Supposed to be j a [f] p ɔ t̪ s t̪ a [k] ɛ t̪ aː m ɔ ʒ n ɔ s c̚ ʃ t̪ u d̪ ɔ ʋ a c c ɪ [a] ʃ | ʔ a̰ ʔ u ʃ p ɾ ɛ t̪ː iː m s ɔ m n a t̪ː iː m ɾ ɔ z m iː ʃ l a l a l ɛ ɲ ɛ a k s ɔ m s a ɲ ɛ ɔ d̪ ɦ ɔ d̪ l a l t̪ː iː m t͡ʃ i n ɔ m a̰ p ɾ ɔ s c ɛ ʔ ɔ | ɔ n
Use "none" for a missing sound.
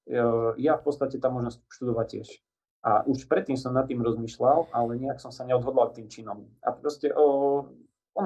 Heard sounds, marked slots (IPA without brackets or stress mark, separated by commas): f, c, ɛ